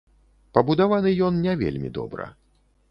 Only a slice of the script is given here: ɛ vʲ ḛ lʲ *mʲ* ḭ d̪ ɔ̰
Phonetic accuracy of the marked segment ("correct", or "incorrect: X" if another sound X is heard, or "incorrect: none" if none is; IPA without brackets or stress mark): correct